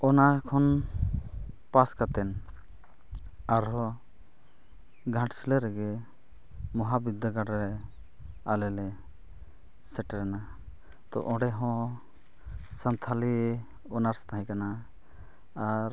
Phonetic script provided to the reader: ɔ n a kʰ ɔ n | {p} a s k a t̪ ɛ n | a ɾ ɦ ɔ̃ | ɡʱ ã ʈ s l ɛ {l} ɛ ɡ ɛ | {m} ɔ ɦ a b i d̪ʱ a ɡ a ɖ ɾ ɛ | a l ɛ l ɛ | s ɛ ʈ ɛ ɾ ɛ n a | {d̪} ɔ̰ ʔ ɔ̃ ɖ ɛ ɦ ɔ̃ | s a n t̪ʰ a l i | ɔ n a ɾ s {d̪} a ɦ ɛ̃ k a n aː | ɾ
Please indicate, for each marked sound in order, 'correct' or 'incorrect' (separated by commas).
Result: correct, incorrect, correct, incorrect, incorrect